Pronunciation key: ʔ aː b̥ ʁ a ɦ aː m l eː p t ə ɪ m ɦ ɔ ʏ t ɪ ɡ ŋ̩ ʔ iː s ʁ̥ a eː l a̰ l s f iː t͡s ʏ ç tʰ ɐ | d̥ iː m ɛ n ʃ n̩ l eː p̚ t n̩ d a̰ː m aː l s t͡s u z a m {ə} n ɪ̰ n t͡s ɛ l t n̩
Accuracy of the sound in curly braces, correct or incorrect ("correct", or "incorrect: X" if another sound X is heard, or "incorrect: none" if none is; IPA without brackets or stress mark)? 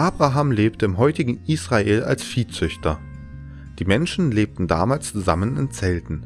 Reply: correct